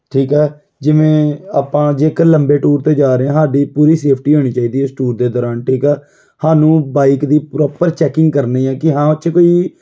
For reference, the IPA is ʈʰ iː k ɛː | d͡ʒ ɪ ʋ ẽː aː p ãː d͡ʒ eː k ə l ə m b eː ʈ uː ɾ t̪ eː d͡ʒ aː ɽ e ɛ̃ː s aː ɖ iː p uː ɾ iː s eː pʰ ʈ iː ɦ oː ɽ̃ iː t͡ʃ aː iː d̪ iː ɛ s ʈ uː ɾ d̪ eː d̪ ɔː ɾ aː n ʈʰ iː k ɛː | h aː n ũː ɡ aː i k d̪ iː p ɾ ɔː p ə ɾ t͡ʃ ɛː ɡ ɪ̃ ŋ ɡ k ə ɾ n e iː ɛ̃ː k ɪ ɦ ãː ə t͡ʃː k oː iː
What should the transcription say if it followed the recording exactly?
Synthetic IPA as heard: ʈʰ iː k ɛː | d͡ʒ ɪ ʋ ẽː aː p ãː d͡ʒ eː k ə l ə m b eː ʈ uː ɾ t̪ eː d͡ʒ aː ɾ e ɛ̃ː s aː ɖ iː p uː ɾ iː s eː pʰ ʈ iː ɦ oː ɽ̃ iː t͡ʃ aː iː d̪ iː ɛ s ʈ uː ɾ d̪ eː d̪ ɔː ɾ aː n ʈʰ iː k ɛː | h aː n ũː b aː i k d̪ iː p ɾ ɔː p ə ɾ t͡ʃ ɛː k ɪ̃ ŋ ɡ k ə ɾ n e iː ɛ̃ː k ɪ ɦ ãː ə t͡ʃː k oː iː